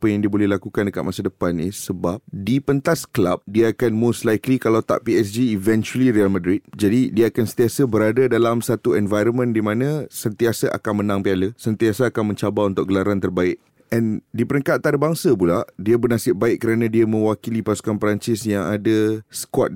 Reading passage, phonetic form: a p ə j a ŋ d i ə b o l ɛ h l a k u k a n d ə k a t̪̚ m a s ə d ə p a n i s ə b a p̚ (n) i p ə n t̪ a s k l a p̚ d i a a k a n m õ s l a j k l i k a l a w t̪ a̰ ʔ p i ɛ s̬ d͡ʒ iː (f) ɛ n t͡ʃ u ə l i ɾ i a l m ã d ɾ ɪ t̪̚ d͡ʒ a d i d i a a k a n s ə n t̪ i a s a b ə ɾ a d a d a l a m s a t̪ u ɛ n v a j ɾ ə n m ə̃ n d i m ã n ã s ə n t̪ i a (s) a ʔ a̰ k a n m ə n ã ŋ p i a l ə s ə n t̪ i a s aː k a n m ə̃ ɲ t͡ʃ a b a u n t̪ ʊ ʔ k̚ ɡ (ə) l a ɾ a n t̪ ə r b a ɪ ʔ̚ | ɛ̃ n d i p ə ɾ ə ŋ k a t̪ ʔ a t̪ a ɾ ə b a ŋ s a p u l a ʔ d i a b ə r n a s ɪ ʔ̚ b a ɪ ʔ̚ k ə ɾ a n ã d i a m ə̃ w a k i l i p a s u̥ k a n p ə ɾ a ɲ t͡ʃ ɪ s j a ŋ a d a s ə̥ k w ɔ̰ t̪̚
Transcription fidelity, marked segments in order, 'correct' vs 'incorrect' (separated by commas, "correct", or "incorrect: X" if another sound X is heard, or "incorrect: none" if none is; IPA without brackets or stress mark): incorrect: d, incorrect: v, correct, correct